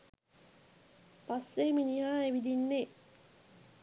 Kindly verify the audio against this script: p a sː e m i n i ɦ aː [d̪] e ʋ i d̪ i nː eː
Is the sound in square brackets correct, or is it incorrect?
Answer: incorrect